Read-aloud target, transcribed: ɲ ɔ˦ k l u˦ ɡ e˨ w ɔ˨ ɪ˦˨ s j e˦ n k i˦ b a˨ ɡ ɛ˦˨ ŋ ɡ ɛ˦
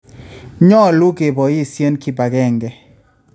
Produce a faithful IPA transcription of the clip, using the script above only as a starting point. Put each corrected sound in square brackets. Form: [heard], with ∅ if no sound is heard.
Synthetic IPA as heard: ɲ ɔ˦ [∅] l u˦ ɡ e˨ [b] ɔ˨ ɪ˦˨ s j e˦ n k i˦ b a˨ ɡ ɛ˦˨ ŋ ɡ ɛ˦